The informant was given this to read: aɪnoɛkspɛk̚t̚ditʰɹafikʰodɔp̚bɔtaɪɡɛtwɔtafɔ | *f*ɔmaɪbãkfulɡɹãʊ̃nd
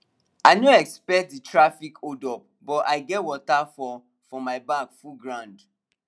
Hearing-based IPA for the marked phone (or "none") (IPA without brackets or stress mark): f